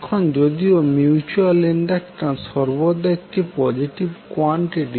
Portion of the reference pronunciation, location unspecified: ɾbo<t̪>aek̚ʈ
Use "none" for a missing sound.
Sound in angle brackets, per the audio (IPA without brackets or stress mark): d̪